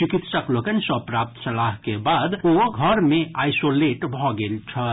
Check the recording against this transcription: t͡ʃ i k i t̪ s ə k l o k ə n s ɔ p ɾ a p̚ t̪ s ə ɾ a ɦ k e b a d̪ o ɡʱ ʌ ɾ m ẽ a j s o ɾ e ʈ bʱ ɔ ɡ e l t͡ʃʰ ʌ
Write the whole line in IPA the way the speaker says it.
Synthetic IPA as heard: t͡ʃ i k i t̪ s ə k l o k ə n s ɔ p ɾ a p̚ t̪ s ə l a ɦ k e b a d̪ o ɡʱ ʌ ɾ m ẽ a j s o l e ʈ bʱ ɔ ɡ e l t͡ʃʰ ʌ